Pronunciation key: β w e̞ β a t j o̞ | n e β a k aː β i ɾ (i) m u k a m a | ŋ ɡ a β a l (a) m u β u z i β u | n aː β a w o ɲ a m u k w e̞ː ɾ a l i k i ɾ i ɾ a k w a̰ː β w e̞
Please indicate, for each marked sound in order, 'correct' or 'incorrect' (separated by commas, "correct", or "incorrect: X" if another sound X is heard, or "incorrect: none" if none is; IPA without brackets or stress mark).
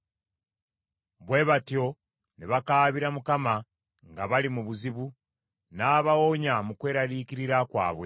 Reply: incorrect: a, incorrect: i